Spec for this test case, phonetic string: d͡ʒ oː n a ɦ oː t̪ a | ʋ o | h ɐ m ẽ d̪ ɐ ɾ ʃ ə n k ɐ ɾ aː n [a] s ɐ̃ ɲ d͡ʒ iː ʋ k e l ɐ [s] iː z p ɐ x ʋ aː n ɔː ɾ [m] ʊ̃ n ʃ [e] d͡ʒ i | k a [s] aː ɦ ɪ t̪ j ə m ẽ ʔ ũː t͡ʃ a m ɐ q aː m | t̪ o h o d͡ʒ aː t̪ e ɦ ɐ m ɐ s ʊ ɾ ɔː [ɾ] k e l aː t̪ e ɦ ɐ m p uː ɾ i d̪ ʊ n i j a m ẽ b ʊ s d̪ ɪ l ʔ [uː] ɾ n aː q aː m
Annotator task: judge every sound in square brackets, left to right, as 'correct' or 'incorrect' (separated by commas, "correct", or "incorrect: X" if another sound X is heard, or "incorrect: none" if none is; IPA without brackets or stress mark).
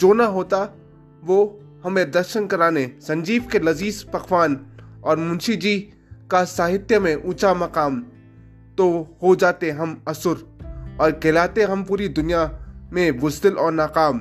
incorrect: e, incorrect: z, correct, incorrect: i, correct, correct, incorrect: ɔː